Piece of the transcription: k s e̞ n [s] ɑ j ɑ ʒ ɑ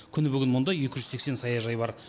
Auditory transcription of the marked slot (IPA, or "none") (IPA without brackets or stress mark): s